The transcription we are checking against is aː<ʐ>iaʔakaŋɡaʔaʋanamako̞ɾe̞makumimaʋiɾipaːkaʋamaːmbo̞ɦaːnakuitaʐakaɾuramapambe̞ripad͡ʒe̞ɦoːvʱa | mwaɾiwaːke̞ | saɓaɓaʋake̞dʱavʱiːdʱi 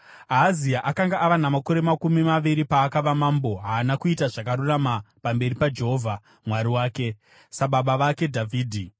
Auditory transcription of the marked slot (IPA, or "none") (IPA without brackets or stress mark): z